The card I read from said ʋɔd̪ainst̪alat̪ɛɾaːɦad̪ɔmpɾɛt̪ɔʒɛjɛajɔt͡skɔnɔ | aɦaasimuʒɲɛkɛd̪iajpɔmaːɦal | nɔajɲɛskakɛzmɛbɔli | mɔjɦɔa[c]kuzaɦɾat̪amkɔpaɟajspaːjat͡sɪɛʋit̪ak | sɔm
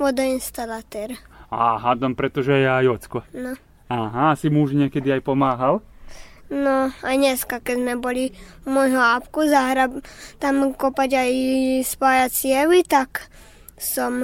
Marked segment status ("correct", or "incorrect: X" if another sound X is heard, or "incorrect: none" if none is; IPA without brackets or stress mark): incorrect: p